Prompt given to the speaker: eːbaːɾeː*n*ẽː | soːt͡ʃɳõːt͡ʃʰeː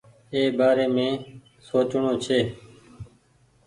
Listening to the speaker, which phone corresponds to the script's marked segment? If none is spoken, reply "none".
m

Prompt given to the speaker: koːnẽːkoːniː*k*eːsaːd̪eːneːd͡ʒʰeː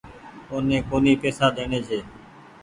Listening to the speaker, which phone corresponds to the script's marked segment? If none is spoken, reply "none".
p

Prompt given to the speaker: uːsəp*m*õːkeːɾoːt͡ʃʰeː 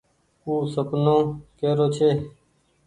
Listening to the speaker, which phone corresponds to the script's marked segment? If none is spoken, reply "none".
n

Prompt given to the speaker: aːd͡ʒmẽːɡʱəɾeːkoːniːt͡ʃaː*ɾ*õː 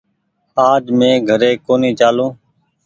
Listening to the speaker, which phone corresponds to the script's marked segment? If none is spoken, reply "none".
l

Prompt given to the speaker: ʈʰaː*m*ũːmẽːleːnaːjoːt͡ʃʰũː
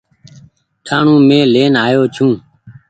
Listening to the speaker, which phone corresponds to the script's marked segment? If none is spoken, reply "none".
ɳ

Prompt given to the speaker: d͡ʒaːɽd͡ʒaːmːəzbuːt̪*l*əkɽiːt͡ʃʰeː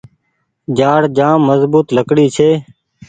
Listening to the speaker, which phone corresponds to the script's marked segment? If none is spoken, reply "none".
l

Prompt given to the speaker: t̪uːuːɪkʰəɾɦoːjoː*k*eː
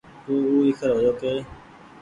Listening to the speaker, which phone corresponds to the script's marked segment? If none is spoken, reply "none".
k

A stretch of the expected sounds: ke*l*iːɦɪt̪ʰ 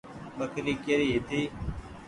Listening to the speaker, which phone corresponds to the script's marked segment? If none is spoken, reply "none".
ɾ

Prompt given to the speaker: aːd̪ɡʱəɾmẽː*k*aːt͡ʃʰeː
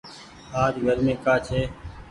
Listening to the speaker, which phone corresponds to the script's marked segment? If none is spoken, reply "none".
k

